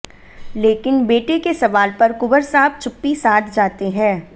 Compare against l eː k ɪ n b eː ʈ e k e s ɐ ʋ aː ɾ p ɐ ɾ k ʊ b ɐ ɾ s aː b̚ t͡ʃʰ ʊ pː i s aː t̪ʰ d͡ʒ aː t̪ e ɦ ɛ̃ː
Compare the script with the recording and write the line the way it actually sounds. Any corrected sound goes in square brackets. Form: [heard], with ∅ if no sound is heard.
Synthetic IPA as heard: l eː k ɪ n b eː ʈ e k e s ɐ ʋ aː [l] p ɐ ɾ k ʊ b [ə] ɾ s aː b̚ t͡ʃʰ ʊ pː i s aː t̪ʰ d͡ʒ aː t̪ e ɦ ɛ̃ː